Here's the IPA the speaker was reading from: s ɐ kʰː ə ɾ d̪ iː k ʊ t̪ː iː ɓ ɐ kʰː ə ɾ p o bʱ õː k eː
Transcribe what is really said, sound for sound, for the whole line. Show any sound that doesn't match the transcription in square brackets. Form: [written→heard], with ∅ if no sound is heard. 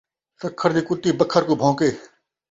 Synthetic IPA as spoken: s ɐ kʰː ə ɾ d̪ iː k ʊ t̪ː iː [ɓ→b] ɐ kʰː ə ɾ [p→k] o bʱ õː k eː